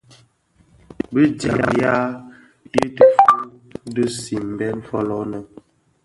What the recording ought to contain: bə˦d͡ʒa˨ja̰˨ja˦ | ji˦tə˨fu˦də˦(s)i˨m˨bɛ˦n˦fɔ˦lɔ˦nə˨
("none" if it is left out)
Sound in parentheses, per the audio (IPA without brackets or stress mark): s